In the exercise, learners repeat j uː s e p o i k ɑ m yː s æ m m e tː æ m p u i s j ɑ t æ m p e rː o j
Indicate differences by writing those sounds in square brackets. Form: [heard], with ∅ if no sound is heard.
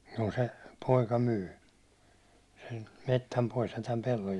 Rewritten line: j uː s e p o i k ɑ m yː s [e] m m e tː æ m p [o] i s j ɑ t æ m p e [lː] o j